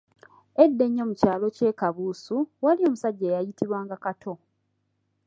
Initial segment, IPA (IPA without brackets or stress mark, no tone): e